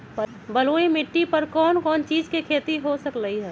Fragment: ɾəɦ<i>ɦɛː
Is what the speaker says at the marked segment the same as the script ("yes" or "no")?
yes